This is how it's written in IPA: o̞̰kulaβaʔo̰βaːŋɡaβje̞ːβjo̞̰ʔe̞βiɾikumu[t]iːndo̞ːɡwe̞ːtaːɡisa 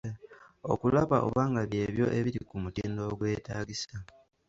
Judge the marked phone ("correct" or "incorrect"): correct